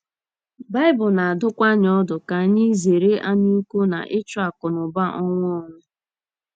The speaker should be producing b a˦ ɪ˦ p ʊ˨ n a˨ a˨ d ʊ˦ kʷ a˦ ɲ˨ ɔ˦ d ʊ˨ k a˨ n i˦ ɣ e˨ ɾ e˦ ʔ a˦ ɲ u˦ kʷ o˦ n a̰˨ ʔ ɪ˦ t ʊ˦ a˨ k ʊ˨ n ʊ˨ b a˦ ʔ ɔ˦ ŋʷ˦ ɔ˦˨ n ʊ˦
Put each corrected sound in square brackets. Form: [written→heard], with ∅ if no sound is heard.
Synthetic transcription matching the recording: b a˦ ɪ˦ [p→b] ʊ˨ n a˨ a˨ d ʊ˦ kʷ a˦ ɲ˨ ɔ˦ d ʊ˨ k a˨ [n→ɲ] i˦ [ɣ→z] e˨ ɾ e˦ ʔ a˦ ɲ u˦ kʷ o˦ n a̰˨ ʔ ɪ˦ [t→t͡ʃ] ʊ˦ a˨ k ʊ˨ n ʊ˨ b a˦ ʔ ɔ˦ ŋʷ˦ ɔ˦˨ n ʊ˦